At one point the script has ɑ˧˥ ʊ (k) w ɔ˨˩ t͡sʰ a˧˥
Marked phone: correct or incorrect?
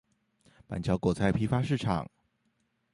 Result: correct